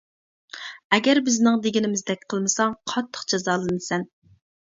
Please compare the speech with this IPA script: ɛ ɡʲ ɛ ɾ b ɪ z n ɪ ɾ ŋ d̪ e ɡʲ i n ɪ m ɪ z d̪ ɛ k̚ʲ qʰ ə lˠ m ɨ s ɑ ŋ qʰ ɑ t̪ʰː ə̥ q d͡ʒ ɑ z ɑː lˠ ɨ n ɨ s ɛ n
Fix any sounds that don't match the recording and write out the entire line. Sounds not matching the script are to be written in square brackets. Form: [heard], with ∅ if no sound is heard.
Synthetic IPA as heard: ɛ ɡʲ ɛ ɾ b ɪ z n ɪ [∅] ŋ d̪ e ɡʲ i n ɪ m ɪ z d̪ ɛ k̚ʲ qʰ ə lˠ m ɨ s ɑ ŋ qʰ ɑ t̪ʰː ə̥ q d͡ʒ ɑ z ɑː lˠ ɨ n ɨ s ɛ n